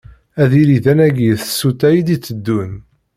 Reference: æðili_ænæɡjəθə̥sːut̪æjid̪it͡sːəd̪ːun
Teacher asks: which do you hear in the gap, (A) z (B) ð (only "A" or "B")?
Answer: B